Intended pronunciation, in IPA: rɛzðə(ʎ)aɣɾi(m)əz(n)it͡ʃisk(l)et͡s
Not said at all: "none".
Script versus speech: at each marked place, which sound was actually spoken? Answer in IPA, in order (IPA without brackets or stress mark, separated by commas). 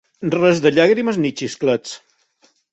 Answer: ʎ, m, n, l